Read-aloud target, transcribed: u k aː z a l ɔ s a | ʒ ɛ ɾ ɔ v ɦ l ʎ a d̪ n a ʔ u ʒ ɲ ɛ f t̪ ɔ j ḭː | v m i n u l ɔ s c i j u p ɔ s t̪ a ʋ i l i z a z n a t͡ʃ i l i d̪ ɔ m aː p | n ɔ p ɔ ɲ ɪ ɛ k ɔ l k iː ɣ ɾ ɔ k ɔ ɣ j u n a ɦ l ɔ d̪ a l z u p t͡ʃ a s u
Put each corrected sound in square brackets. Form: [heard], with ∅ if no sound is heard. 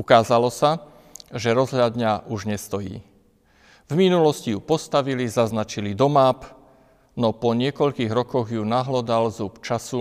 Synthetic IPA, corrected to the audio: u k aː z a l ɔ s a | ʒ ɛ ɾ ɔ [z] ɦ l ʎ a d̪ [ɲ] a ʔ u ʒ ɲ ɛ [s] t̪ ɔ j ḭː | v m i n u l ɔ s c i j u p ɔ s t̪ a ʋ i l i z a z n a t͡ʃ i l i d̪ ɔ m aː p | n ɔ p ɔ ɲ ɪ ɛ k ɔ [ʎ] k iː ɣ ɾ ɔ k ɔ ɣ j u n a ɦ l ɔ d̪ a l z u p t͡ʃ a s u